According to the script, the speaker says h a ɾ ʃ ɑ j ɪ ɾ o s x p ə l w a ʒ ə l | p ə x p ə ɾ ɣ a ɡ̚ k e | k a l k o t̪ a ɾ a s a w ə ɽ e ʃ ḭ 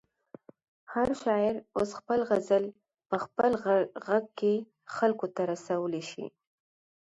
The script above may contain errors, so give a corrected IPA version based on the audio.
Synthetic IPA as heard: h a ɾ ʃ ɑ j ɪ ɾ o s x p ə l ɣ a z ə l | p ə x p ə l ɣ a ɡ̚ k e | x a l k o t̪ a ɾ a s a w ə l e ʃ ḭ